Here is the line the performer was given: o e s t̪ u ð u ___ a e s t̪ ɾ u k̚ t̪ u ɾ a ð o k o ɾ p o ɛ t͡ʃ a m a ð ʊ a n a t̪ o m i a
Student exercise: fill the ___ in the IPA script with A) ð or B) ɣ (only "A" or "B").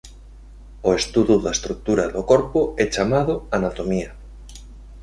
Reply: A